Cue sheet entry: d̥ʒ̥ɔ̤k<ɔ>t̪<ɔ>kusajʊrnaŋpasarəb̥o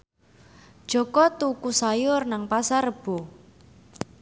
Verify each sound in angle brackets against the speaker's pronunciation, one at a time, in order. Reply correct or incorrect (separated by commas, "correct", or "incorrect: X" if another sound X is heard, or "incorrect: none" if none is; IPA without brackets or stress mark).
correct, incorrect: u